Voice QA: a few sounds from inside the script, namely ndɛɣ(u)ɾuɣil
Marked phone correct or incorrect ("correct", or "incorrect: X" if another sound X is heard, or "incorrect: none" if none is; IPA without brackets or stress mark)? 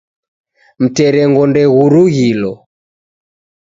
correct